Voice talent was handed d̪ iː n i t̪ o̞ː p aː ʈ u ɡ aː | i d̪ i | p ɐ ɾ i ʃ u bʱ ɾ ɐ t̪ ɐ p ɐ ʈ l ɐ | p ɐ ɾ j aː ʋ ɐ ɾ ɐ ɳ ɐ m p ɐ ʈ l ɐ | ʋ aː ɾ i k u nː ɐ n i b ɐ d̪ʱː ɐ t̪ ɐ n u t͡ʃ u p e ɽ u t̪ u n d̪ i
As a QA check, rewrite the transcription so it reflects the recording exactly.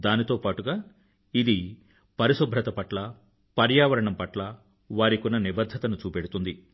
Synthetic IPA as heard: d̪ aː n i t̪ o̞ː p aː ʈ u ɡ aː | i d̪ i | p ɐ ɾ i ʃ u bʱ ɾ ɐ t̪ ɐ p ɐ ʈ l ɐ | p ɐ ɾ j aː ʋ ɐ ɾ ɐ ɳ ɐ m p ɐ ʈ l ɐ | ʋ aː ɾ i k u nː ɐ n i b ɐ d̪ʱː ɐ t̪ ɐ n u t͡ʃ uː p e ɽ u t̪ u n d̪ i